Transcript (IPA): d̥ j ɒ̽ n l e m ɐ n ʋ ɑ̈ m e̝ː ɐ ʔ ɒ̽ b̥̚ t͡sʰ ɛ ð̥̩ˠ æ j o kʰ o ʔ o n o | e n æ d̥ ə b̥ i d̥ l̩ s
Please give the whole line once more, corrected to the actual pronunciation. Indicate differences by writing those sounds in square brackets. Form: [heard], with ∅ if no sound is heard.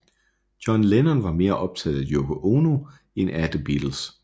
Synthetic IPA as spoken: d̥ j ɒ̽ n l e [n] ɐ n ʋ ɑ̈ m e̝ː ɐ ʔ ɒ̽ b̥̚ t͡sʰ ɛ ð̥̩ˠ æ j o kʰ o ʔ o n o | e n æ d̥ ə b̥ i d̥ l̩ s